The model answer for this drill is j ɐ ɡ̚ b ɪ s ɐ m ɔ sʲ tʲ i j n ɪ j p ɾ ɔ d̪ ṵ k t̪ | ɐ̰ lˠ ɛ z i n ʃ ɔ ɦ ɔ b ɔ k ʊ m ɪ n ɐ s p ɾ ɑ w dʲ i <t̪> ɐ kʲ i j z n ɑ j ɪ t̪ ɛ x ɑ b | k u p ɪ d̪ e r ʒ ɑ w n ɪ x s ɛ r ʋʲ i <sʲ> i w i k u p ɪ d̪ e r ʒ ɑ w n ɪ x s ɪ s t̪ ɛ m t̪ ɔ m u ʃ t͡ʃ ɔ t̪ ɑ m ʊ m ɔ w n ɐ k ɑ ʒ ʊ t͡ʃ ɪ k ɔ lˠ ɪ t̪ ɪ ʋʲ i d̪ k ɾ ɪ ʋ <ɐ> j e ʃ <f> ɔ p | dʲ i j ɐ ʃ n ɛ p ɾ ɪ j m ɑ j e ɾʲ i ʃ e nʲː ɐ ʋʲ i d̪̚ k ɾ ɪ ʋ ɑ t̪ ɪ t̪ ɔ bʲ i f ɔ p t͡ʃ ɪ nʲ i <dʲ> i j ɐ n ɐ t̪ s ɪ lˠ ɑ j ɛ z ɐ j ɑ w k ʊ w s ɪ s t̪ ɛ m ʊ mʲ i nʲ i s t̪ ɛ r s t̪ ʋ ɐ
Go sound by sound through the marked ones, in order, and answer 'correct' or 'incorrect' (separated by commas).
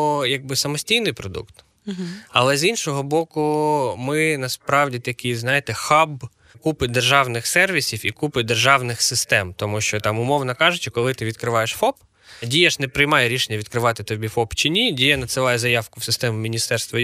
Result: correct, correct, incorrect, correct, correct